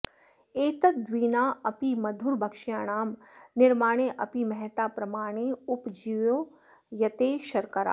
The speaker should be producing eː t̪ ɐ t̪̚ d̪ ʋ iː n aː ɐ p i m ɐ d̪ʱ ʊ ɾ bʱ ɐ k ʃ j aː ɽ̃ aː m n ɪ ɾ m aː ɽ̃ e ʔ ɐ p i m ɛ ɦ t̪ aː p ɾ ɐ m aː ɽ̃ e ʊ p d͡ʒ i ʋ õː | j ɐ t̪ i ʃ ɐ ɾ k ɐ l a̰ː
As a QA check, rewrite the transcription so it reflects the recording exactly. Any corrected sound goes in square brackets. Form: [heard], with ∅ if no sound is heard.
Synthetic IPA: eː t̪ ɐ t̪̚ d̪ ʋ iː n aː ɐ p i m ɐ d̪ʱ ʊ ɾ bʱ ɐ k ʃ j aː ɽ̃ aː m n ɪ ɾ m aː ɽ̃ e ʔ ɐ p i m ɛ ɦ t̪ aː p ɾ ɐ m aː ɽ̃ e ʊ p d͡ʒ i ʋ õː | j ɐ t̪ [e] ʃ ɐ ɾ k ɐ [ɾ] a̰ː